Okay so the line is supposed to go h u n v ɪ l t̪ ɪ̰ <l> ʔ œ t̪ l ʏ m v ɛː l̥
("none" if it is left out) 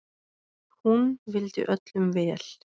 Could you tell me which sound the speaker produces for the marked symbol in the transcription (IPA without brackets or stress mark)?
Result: none